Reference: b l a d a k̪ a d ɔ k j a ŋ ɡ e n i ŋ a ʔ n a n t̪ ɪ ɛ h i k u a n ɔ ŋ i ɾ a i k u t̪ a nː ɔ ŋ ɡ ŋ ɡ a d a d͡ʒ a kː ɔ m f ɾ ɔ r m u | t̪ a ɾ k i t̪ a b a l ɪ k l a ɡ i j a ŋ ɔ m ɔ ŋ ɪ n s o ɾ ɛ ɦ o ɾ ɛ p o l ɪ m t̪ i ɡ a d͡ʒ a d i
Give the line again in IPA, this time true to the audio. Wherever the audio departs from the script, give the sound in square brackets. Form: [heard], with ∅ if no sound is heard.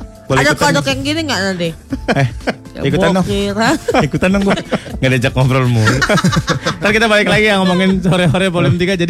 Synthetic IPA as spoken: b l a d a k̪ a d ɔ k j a ŋ ɡ [i] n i ŋ a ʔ n a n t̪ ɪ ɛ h i k u a n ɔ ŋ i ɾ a i k u t̪ a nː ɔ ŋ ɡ ŋ ɡ a d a d͡ʒ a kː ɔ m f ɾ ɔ [l] m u | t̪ a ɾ k i t̪ a b a l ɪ k l a ɡ i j a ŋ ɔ m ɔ ŋ ɪ n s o ɾ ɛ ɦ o ɾ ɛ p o l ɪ m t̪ i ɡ a d͡ʒ a d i